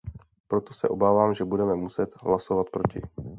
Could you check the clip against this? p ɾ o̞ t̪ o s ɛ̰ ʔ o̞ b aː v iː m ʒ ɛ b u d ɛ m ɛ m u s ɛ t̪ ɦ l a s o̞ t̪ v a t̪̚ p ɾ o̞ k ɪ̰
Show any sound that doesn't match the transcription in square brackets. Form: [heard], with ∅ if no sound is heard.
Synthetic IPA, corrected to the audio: p ɾ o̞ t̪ o s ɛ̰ ʔ o̞ b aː v [aː] m ʒ ɛ b u d ɛ m ɛ m u s ɛ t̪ ɦ l a s o̞ [∅] v a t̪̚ p ɾ o̞ [c] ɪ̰